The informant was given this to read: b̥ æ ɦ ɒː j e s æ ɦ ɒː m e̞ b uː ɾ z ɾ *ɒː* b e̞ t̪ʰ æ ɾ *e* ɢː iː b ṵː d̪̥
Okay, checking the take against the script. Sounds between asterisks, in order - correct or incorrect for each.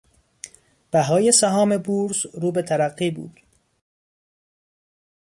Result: incorrect, incorrect

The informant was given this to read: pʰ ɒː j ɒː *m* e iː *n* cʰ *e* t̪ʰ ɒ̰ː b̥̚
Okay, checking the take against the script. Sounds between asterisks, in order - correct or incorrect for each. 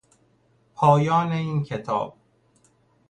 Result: incorrect, correct, correct

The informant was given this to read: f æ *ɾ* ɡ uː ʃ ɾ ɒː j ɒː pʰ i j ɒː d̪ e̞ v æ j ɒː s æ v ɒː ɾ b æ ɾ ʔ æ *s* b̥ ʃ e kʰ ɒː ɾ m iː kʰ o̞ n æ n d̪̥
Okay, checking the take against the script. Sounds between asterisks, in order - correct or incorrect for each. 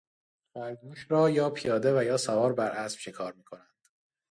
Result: correct, correct

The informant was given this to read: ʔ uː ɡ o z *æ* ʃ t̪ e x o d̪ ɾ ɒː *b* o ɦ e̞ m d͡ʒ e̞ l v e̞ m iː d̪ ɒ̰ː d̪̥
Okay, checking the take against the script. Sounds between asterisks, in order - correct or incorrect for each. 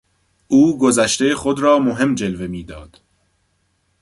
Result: correct, incorrect

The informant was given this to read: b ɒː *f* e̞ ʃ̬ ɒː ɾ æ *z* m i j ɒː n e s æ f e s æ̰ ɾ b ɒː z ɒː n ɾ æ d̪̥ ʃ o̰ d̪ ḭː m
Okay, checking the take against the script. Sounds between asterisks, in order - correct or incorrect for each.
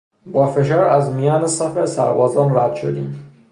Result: correct, correct

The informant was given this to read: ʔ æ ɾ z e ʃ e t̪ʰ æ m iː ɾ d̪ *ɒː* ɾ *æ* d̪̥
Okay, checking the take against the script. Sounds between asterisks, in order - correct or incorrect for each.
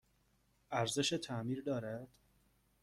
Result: correct, correct

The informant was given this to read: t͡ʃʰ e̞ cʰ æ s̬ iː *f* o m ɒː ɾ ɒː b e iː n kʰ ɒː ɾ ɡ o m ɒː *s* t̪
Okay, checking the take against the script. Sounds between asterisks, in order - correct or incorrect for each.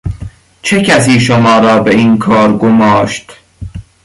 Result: incorrect, incorrect

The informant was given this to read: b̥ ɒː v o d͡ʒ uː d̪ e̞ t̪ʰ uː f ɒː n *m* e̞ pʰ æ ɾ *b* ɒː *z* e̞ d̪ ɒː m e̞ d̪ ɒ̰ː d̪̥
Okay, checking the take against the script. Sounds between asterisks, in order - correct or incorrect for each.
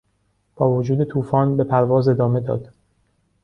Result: incorrect, incorrect, correct

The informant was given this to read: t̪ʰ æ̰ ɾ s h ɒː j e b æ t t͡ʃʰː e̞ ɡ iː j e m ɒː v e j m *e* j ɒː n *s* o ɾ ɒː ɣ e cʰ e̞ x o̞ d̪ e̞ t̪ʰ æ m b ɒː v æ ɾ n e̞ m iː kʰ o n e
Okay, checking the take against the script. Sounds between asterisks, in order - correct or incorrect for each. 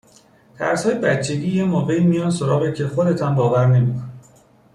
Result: incorrect, correct

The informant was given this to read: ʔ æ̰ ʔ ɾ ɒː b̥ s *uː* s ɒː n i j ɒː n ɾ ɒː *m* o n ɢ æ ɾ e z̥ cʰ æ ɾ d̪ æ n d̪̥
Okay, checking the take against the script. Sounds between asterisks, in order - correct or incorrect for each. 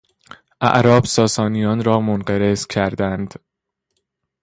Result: incorrect, correct

